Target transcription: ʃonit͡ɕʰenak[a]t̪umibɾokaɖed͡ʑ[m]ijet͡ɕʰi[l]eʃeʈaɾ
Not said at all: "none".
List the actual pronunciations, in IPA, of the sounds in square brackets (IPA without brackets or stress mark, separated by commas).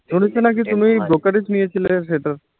i, n, l